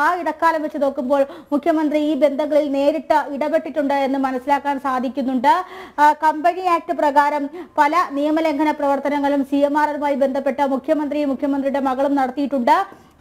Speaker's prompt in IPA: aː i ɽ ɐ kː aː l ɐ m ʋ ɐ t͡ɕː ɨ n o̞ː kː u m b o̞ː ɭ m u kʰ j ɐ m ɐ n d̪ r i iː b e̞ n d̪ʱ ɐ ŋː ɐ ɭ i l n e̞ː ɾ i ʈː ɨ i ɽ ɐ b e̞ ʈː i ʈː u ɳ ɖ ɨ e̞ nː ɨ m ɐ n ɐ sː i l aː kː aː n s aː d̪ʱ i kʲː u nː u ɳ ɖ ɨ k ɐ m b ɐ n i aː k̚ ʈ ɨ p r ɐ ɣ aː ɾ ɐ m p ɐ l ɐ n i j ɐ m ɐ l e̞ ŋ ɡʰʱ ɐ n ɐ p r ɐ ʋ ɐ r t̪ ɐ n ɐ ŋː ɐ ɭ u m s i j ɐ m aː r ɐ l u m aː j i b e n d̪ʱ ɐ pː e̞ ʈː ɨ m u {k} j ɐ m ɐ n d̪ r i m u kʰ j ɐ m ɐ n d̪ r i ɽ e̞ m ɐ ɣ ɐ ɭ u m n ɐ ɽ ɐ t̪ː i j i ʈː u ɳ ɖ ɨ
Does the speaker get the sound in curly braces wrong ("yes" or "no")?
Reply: yes